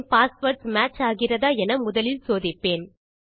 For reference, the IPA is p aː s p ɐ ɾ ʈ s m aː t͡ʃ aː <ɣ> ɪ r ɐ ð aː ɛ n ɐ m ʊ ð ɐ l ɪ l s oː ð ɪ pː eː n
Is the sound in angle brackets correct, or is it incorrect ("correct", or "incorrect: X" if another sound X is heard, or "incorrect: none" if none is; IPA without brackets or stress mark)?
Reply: correct